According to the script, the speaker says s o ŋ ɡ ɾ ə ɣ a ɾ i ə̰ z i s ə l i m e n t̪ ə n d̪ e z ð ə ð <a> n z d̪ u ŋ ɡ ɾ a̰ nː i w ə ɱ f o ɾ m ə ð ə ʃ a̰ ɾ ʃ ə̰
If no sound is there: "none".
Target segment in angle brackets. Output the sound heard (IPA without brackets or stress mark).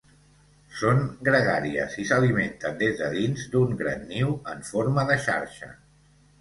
i